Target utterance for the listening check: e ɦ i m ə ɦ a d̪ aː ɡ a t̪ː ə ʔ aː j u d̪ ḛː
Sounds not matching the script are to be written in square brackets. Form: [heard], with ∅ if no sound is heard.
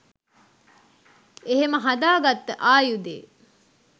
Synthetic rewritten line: e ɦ [e] m ə ɦ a d̪ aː ɡ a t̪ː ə ʔ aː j u d̪ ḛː

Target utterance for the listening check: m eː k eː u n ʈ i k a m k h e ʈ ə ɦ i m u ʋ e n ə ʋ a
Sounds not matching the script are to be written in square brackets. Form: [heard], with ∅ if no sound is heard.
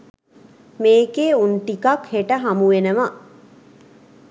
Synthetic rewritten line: m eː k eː u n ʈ i k a [∅] k h e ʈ ə ɦ [a] m u ʋ e n ə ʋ a

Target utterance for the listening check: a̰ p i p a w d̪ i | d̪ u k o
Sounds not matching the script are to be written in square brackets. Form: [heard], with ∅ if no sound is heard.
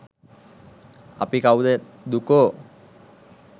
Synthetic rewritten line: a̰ p i [k] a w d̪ [e] | d̪ u k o

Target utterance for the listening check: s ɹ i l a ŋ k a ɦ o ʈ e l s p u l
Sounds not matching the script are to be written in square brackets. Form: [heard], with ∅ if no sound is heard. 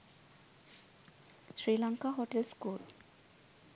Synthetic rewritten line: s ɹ i l a ŋ k a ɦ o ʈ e l s [k] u l

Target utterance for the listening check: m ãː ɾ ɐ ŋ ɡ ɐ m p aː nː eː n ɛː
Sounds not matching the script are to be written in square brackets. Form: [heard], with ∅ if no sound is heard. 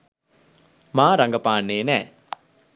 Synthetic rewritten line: m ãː ɾ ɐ ŋ ɡ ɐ [∅] p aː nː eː n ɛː

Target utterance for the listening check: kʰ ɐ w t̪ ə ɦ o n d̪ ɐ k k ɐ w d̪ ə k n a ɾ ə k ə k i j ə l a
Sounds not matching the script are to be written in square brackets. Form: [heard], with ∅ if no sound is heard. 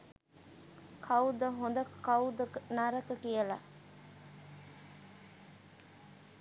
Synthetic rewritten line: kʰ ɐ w [d̪] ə ɦ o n d̪ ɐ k k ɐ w d̪ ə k n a ɾ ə k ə k i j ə l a

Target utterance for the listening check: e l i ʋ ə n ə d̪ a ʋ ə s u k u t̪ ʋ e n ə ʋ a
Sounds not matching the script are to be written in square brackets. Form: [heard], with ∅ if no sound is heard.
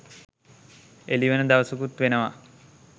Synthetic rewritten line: e l i ʋ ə n ə d̪ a ʋ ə s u k u t̪ ʋ e n ə ʋ a

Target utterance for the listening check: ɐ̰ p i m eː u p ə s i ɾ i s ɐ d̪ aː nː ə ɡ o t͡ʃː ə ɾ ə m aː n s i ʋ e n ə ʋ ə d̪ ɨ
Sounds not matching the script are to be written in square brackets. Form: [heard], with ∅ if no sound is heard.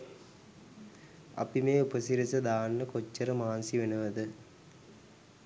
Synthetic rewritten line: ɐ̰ p i m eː u p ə s i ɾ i s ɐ d̪ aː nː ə [k] o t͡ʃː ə ɾ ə m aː n s i ʋ e n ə ʋ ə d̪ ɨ

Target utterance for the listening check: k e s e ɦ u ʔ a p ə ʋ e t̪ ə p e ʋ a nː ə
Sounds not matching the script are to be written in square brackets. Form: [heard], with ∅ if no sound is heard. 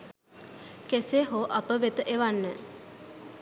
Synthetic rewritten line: k e s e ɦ [o] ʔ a p ə ʋ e t̪ ə [ʔ] e ʋ a nː ə

